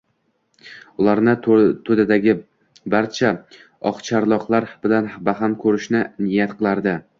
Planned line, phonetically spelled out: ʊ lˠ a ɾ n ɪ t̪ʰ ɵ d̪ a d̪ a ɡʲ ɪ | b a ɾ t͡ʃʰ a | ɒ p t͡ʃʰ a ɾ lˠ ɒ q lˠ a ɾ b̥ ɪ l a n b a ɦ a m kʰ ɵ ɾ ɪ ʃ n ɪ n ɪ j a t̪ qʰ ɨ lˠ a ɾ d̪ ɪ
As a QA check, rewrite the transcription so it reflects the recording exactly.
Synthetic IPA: ʊ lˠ a ɾ n ɪ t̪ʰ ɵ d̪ a d̪ a ɡʲ ɪ | b a ɾ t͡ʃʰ a | ɒ q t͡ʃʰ a ɾ lˠ ɒ q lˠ a ɾ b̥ ɪ l a n b a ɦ a m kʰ ɵ ɾ ɪ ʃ n ɪ n ɪ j a t̪ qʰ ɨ lˠ a ɾ d̪ ɪ